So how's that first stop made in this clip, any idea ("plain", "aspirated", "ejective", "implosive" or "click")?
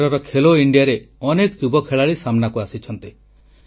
aspirated